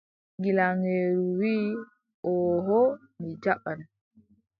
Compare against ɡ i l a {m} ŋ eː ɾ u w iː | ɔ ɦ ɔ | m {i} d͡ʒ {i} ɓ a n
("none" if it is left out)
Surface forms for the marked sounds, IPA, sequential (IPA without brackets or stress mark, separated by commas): none, i, a